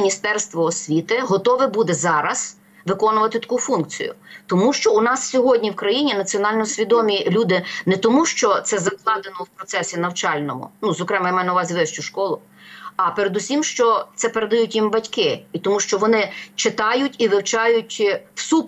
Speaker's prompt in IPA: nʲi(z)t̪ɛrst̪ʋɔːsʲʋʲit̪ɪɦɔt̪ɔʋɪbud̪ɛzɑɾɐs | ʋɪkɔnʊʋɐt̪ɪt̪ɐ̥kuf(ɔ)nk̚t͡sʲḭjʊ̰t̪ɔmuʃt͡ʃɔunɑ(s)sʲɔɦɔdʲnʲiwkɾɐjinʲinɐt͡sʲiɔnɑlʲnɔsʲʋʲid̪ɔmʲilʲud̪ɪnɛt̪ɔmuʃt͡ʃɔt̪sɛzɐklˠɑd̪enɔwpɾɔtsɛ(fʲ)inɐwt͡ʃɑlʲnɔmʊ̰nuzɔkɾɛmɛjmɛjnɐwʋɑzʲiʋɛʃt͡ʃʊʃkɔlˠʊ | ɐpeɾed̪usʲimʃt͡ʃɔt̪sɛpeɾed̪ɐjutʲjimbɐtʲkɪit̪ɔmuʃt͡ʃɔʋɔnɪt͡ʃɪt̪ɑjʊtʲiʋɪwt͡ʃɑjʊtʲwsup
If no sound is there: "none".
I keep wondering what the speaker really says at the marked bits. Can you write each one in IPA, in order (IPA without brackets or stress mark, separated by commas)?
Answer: s, u, s, sʲ